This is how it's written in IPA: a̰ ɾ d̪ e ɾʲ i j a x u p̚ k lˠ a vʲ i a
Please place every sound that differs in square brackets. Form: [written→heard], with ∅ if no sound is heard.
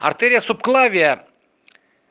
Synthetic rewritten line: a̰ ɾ [d̪→t̪] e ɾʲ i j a [x→s] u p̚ k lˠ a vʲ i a